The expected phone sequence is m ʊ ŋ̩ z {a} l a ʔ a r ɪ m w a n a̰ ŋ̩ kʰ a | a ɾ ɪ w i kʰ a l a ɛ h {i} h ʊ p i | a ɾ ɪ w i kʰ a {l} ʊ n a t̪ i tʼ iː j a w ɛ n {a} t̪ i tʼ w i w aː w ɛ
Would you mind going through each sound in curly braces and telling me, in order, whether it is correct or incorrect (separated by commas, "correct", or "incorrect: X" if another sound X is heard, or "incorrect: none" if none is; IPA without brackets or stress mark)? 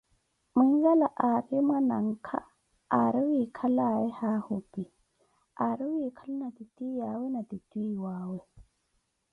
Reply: correct, incorrect: a, correct, correct